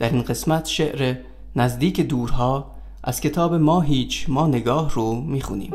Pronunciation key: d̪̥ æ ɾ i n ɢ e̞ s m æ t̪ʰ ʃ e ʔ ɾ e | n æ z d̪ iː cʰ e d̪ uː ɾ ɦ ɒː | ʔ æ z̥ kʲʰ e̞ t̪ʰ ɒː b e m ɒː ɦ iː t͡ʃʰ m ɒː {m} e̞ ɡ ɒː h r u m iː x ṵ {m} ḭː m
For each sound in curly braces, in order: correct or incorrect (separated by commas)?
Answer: incorrect, incorrect